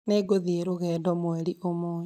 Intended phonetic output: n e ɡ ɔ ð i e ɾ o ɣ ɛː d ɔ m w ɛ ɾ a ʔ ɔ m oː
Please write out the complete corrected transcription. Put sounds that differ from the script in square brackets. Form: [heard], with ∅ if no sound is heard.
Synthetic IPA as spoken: n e ɡ [o] ð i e ɾ o ɣ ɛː d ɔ m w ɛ ɾ [i] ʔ [o] m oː